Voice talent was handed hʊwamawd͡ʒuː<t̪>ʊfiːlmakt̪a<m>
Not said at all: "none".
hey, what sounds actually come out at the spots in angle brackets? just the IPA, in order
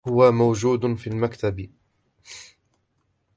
d̪, b

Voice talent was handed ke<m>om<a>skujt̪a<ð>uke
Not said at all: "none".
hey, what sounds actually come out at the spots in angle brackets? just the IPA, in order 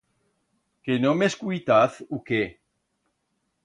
n, e, θ

